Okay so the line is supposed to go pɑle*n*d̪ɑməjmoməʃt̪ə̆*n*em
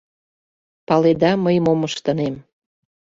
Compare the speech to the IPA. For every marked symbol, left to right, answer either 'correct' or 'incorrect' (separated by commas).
incorrect, correct